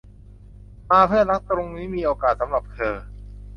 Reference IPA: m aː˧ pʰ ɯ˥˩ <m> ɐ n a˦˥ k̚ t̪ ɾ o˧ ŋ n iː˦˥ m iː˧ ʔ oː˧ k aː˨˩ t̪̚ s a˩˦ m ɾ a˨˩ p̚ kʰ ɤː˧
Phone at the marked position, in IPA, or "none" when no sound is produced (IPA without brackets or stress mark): none